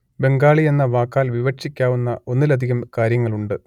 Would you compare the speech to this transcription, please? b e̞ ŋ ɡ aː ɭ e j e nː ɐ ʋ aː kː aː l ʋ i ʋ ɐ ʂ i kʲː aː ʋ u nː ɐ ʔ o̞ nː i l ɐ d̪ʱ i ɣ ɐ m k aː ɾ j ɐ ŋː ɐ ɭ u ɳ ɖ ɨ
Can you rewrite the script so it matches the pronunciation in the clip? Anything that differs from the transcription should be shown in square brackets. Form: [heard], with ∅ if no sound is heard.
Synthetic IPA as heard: b e̞ ŋ ɡ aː ɭ [i] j e nː ɐ ʋ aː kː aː l ʋ i ʋ ɐ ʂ i kʲː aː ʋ u nː ɐ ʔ o̞ nː i l ɐ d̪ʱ i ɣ ɐ m k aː ɾ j ɐ ŋː ɐ ɭ u ɳ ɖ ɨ